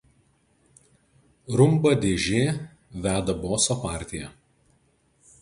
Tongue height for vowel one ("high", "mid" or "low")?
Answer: high